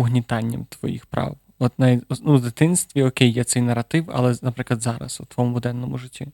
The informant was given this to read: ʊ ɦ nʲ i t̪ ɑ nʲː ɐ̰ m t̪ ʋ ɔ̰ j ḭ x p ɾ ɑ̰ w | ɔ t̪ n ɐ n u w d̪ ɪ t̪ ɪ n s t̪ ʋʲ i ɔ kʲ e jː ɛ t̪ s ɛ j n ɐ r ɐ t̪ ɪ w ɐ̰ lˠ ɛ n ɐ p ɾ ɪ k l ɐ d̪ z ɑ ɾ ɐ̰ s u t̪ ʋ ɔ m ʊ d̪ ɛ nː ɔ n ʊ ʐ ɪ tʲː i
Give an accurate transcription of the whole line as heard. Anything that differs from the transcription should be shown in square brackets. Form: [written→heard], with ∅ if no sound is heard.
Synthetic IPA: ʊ ɦ nʲ i t̪ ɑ nʲː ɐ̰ m t̪ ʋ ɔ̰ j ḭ x p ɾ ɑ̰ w | ɔ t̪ n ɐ n u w d̪ ɪ t̪ ɪ n s t̪ ʋʲ i ɔ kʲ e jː ɛ t̪ s ɛ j n ɐ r ɐ t̪ ɪ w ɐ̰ lˠ ɛ n ɐ p ɾ ɪ k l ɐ d̪ z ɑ ɾ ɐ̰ s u t̪ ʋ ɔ m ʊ d̪ ɛ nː ɔ [n→m] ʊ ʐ ɪ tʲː i